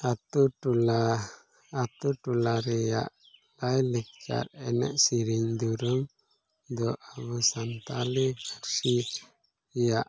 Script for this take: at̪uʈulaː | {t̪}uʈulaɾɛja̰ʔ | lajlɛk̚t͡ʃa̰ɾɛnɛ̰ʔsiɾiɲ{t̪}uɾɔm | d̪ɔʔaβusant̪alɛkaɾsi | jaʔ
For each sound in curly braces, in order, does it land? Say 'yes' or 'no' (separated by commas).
yes, no